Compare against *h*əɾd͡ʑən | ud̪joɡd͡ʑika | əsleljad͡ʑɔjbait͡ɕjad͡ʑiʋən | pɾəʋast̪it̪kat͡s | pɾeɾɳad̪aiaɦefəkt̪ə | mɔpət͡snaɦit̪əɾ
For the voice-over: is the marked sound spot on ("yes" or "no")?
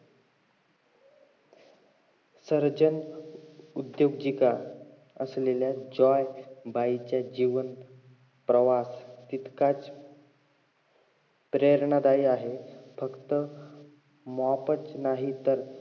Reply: no